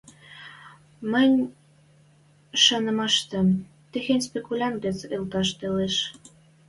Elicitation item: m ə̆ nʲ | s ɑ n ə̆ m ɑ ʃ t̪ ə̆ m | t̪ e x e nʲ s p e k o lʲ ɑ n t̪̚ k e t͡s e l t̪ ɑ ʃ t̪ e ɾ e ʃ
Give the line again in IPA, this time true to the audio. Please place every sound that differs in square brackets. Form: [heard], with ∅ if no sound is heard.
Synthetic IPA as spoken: m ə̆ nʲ | [ʃ] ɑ n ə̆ m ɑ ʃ t̪ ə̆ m | t̪ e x e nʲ s p e k [u] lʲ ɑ n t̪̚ [ɡ] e t͡s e l t̪ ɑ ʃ t̪ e [l] e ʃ